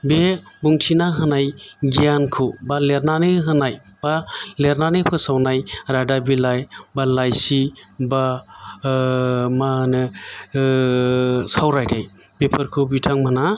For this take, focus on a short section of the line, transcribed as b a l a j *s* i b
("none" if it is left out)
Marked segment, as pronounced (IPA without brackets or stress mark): s